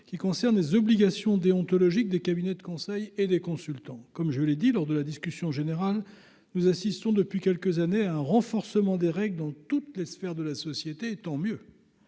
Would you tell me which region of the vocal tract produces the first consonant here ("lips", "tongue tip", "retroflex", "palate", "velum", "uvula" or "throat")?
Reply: velum